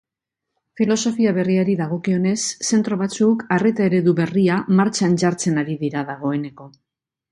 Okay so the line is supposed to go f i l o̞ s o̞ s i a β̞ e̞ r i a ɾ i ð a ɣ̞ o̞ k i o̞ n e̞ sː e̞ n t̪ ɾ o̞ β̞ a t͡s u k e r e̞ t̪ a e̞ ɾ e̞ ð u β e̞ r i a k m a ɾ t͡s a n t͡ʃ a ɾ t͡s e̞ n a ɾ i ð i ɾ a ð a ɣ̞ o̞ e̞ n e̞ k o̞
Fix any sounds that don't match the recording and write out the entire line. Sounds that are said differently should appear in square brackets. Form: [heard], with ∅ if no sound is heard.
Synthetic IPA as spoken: f i l o̞ s o̞ [f] i a β̞ e̞ r i a ɾ i ð a ɣ̞ o̞ k i o̞ n e̞ sː e̞ n t̪ ɾ o̞ β̞ a t͡s u k [a] r e̞ t̪ a e̞ ɾ e̞ ð u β e̞ r i a [∅] m a ɾ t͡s a n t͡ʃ a ɾ t͡s e̞ n a ɾ i ð i ɾ a ð a ɣ̞ o̞ e̞ n e̞ k o̞